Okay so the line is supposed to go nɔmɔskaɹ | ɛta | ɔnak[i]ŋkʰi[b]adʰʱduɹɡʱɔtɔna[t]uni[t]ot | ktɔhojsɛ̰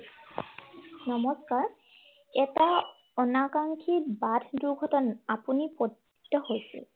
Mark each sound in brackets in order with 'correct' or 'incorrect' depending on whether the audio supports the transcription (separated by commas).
incorrect, correct, incorrect, incorrect